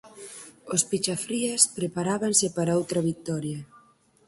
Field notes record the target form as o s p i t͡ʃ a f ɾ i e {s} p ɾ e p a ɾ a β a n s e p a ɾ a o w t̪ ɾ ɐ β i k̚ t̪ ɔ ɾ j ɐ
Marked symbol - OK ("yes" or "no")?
yes